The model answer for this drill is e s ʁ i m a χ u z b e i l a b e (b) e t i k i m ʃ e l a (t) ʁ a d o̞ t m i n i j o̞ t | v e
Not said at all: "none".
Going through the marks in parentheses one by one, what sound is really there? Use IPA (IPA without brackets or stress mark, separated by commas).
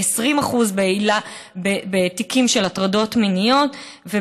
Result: b, t